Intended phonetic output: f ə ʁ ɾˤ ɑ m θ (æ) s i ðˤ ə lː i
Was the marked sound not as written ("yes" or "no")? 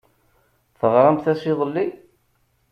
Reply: no